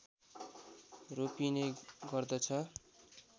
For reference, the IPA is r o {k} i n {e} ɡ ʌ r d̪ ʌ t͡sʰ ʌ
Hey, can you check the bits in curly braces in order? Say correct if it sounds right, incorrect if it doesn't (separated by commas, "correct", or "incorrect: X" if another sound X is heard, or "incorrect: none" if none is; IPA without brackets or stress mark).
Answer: incorrect: p, correct